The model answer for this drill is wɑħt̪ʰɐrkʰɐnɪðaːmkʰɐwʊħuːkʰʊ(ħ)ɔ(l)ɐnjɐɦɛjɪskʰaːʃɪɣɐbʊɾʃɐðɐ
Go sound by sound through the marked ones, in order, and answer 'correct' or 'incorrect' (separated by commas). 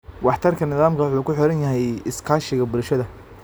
correct, incorrect